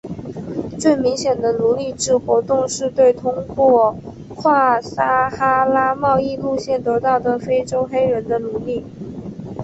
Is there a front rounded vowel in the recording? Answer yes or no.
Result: no